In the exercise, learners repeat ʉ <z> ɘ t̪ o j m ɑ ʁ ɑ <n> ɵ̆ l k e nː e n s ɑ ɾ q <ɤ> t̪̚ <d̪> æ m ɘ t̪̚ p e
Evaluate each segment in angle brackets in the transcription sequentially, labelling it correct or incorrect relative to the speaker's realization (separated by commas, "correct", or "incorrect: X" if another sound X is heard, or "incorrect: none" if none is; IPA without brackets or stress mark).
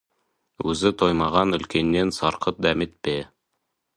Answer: correct, correct, correct, correct